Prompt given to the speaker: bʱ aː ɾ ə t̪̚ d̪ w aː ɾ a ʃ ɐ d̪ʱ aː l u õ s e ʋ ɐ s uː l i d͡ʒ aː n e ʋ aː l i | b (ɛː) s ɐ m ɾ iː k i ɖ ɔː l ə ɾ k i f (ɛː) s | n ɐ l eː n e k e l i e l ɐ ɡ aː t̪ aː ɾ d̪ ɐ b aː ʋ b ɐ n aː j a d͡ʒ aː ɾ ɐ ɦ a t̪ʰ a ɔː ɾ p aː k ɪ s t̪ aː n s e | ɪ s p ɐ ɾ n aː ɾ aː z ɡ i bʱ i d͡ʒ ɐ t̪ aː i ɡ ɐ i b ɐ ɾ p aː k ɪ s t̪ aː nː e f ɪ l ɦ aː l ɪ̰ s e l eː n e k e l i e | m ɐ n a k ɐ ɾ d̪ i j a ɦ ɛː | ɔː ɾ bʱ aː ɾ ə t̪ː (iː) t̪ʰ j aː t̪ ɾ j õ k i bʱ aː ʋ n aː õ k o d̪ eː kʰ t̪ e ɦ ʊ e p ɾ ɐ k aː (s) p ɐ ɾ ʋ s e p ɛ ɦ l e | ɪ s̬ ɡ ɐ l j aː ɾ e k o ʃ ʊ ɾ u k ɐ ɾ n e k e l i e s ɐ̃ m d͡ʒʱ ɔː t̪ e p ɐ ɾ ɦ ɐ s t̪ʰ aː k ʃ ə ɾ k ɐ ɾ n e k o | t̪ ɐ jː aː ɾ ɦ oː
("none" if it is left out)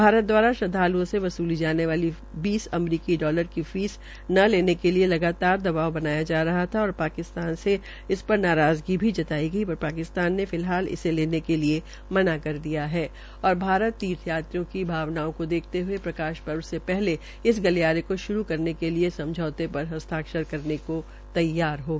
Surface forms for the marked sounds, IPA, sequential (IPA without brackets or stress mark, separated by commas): iː, iː, iː, ʃ